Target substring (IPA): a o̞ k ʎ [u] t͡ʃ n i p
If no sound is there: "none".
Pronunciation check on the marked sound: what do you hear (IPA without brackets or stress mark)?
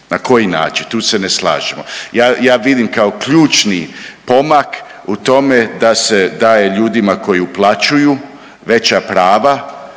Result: uː